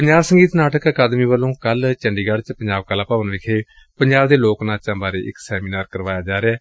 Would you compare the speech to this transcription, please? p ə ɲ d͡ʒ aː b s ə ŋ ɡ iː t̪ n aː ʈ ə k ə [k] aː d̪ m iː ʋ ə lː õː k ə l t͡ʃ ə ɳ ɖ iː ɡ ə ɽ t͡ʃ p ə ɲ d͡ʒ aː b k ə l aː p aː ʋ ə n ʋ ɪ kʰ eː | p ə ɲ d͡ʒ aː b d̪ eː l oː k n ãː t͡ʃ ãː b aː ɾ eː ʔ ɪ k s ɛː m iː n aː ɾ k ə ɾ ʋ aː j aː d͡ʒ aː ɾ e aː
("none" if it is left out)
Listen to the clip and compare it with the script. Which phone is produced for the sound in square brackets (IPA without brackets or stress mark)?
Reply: k